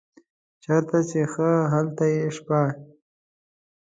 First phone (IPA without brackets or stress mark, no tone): t͡ʃ